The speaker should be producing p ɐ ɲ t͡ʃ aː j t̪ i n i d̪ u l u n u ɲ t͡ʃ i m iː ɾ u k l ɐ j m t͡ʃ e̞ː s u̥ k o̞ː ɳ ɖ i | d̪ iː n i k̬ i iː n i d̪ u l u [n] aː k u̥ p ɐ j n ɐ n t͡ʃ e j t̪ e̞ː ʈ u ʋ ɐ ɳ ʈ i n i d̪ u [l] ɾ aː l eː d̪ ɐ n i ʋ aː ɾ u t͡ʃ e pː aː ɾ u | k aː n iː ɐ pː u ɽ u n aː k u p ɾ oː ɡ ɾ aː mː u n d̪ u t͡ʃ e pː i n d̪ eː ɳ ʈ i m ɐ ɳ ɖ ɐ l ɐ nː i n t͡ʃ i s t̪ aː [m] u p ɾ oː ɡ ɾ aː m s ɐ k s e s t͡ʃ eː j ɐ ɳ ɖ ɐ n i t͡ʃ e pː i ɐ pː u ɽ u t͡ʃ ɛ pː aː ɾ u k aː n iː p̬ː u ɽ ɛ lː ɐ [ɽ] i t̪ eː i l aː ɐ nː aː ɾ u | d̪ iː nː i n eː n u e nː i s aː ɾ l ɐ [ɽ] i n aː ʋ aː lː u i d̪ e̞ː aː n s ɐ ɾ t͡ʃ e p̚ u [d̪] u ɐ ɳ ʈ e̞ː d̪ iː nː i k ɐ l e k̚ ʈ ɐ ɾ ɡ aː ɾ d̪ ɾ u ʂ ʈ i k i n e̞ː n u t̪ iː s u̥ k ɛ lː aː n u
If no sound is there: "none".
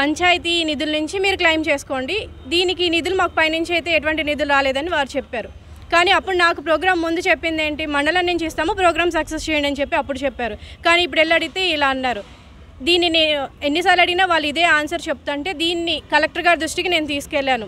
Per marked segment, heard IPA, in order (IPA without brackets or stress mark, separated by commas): m, l, m, ɽ, ɽ, t̪